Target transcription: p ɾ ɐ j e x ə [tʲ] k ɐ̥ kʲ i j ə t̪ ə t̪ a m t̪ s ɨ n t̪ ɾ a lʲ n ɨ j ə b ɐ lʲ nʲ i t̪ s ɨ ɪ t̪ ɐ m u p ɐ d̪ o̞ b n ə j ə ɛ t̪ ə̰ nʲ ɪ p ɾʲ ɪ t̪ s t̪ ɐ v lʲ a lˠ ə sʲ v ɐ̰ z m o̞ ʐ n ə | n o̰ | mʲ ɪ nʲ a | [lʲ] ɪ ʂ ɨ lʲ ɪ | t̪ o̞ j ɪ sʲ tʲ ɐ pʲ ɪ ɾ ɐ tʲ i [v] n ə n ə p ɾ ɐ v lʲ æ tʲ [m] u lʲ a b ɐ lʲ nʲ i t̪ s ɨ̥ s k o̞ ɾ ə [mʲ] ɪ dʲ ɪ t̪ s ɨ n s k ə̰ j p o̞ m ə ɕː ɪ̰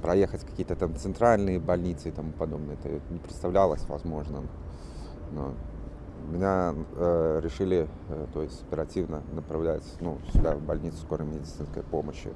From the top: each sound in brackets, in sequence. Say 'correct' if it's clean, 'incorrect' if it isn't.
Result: correct, incorrect: ɾʲ, correct, incorrect: n, correct

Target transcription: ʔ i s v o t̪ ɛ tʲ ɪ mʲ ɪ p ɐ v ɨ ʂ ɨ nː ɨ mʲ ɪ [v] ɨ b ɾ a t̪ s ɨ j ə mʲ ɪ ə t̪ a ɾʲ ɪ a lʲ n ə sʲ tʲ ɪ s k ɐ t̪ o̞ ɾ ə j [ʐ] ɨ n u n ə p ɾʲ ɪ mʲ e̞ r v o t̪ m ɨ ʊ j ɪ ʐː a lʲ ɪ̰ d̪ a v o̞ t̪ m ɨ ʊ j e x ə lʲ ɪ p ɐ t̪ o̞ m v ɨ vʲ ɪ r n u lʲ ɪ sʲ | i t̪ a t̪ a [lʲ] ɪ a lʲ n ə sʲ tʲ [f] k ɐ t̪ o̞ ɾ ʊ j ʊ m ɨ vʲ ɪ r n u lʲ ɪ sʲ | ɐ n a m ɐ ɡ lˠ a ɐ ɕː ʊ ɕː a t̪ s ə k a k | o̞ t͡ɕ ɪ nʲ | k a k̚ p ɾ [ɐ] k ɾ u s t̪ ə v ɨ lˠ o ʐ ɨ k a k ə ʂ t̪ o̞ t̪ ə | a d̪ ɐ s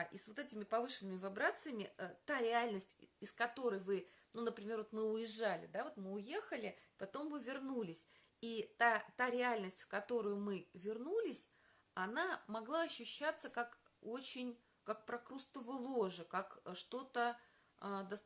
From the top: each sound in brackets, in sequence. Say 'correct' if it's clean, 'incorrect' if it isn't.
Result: correct, incorrect: v, incorrect: ɾʲ, correct, correct

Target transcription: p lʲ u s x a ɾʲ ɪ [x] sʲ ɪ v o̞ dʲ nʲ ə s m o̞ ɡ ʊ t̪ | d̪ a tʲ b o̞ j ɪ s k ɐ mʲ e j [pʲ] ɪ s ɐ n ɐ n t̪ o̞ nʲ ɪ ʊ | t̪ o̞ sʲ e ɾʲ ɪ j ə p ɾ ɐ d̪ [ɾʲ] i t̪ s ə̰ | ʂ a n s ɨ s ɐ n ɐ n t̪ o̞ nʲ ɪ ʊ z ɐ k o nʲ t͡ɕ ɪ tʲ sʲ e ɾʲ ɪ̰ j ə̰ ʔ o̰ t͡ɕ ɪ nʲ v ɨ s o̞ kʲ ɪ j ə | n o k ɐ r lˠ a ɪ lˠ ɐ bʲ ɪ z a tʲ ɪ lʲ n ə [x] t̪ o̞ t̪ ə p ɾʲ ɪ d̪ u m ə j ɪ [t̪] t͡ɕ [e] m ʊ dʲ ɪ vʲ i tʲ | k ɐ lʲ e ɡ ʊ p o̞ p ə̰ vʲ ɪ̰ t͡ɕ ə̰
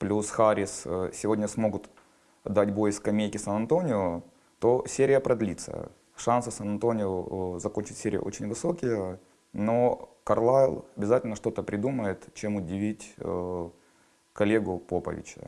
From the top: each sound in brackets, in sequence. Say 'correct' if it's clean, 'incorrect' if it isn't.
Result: incorrect: s, incorrect: kʲ, incorrect: lʲ, incorrect: ʂ, correct, correct

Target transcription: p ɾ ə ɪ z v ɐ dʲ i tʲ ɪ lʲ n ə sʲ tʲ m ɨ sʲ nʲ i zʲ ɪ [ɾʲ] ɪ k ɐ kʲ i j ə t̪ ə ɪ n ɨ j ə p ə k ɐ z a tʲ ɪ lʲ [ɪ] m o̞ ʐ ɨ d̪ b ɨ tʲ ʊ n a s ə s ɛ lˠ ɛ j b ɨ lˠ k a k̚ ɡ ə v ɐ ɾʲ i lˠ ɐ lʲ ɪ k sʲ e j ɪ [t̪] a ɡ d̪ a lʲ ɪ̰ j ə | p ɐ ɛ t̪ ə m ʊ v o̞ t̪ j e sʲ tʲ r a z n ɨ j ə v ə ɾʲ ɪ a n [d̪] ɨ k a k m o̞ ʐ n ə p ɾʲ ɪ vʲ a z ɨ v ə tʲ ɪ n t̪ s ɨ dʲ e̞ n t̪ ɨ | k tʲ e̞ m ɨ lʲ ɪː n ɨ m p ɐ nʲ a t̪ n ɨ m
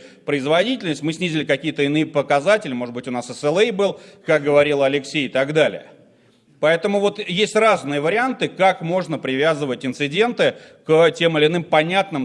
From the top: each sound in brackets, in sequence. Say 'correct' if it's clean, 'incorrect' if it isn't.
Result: incorrect: lʲ, correct, correct, incorrect: t̪

